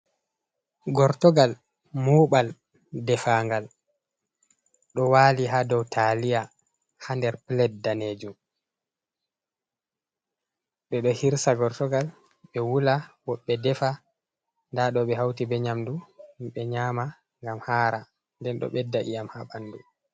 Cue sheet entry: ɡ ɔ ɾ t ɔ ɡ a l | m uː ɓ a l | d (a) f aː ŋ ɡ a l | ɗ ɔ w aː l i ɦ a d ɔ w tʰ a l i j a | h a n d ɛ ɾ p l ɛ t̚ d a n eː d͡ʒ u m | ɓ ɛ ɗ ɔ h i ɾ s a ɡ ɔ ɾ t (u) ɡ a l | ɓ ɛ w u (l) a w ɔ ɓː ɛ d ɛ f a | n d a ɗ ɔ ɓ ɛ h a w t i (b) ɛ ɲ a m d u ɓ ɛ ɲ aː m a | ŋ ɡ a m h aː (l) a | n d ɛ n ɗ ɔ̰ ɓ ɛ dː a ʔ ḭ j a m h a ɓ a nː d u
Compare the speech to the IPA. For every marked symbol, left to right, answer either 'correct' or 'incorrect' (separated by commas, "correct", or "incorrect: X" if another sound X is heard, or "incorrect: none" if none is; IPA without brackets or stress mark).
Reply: incorrect: ɛ, incorrect: ɔ, correct, correct, incorrect: ɾ